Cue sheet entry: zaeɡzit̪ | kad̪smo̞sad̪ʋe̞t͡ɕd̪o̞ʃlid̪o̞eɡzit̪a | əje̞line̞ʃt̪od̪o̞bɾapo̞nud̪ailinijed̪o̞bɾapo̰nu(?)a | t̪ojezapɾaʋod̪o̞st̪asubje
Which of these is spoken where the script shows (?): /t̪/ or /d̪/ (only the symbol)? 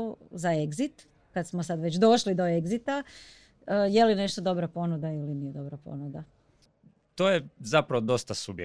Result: d̪